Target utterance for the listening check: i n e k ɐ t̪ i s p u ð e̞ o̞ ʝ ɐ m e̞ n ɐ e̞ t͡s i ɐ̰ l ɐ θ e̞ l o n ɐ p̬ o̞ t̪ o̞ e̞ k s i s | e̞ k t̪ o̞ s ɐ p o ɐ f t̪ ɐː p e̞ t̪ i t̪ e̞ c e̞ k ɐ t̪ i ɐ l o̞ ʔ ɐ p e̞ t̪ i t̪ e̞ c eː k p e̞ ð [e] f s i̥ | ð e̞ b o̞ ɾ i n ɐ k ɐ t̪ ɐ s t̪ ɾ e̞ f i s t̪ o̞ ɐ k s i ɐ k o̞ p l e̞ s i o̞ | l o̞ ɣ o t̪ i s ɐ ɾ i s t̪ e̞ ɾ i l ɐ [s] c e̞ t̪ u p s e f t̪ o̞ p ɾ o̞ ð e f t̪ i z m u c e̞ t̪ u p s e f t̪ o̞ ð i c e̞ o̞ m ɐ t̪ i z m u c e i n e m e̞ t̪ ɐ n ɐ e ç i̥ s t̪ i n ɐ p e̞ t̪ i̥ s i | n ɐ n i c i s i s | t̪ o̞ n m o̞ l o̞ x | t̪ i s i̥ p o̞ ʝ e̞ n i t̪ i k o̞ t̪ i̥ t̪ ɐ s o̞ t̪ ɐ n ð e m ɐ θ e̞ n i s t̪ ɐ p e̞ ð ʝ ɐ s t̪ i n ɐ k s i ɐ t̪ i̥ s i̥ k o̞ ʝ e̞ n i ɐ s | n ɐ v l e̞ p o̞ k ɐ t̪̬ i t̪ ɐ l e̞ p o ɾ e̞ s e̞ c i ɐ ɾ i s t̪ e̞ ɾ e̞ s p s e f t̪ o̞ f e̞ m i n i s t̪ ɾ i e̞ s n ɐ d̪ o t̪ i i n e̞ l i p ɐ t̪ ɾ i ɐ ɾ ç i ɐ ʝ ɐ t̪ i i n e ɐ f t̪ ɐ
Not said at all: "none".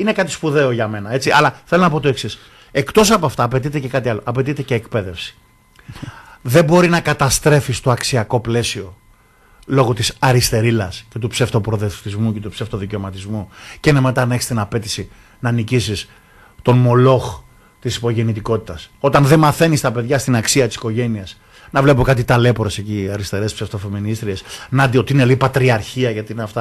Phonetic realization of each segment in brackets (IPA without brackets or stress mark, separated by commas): e, s